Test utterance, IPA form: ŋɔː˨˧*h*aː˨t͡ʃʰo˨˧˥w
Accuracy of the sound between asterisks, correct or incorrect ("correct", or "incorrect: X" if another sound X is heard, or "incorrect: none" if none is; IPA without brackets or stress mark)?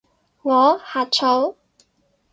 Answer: correct